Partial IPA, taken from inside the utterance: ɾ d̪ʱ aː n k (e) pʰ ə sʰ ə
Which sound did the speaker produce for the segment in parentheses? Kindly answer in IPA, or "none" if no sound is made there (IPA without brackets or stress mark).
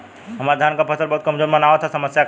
a